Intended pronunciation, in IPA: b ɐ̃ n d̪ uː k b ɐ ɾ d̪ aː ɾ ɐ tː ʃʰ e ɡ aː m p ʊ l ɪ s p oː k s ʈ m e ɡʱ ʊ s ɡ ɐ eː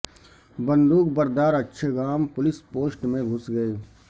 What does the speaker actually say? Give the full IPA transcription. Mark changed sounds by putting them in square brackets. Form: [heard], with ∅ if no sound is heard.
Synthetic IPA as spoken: b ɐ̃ n d̪ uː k b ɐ ɾ d̪ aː ɾ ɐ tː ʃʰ e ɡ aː m p ʊ l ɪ s p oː [∅] s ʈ m [ẽ] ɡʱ ʊ s ɡ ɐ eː

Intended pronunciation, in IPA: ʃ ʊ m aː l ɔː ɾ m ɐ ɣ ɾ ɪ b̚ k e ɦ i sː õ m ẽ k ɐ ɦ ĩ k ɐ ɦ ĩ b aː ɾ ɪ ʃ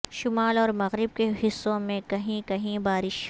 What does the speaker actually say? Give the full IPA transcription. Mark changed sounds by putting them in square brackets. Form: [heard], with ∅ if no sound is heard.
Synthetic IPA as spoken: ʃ ʊ m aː l ɔː ɾ m ɐ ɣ ɾ ɪ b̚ k e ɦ [ɪ] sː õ m ẽ k ɐ ɦ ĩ k ɐ ɦ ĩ b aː ɾ ɪ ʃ

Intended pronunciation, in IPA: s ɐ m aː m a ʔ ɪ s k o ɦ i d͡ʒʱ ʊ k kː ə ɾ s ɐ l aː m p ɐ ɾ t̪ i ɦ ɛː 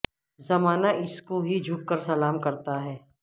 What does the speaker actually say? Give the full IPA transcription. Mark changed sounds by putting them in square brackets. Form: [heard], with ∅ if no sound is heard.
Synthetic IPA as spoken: [z] ɐ m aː [n] a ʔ ɪ s k o ɦ i d͡ʒʱ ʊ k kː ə ɾ s ɐ l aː m [k] ɐ ɾ t̪ [a] ɦ ɛː

